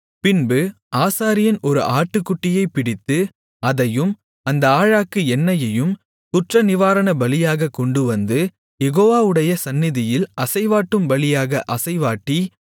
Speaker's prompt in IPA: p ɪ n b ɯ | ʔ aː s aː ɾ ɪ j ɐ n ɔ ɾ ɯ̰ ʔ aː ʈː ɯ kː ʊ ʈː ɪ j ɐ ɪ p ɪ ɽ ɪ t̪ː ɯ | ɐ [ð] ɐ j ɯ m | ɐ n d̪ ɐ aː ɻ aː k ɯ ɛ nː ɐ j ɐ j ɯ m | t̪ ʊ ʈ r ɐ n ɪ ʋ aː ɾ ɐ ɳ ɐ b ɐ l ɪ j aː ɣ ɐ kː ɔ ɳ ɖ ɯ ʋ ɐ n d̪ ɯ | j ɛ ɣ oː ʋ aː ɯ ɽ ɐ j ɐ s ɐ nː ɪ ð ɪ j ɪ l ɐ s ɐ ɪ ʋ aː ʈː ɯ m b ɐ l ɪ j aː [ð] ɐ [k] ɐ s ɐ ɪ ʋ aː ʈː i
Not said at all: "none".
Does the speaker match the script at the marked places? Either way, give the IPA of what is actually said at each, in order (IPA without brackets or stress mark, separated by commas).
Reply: ð, ɣ, ʔ